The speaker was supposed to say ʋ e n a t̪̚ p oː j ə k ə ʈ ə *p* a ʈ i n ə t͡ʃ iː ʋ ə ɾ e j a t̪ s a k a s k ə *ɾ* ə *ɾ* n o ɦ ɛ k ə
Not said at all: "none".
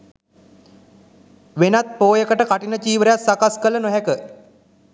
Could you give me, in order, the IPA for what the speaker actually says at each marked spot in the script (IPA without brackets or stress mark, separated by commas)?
k, l, none